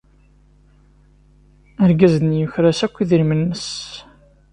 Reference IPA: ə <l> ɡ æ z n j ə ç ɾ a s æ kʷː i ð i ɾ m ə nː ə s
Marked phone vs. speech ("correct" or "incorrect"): incorrect